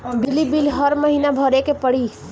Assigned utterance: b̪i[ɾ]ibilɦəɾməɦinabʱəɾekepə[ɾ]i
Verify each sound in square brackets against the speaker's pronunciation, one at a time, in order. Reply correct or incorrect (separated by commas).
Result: incorrect, incorrect